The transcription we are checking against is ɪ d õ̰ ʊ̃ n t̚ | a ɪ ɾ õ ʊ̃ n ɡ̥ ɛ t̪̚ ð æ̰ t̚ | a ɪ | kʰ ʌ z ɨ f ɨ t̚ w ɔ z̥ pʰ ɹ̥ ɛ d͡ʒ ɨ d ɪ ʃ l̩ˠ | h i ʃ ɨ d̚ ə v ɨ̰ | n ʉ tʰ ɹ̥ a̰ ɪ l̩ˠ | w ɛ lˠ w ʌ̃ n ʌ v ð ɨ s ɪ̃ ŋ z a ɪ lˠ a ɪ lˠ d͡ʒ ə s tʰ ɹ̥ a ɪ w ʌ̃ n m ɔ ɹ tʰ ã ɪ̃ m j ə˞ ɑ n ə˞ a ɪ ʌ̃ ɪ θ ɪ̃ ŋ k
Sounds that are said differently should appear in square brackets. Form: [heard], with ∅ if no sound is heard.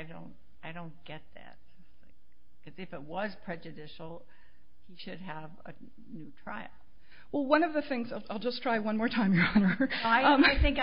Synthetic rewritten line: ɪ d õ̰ ʊ̃ n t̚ | a ɪ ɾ õ ʊ̃ n ɡ̥ ɛ t̪̚ ð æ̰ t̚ | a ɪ | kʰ ʌ z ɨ f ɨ t̚ w [ʌ] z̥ pʰ ɹ̥ ɛ d͡ʒ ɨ d ɪ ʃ l̩ˠ | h i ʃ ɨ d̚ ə v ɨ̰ | n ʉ tʰ ɹ̥ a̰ ɪ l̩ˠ | w ɛ lˠ w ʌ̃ n ʌ v ð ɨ [θ] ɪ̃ ŋ z a ɪ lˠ a ɪ lˠ d͡ʒ [ʌ] s tʰ ɹ̥ a ɪ w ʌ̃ n m ɔ ɹ tʰ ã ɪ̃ m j ə˞ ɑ n ə˞ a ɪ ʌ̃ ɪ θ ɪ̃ ŋ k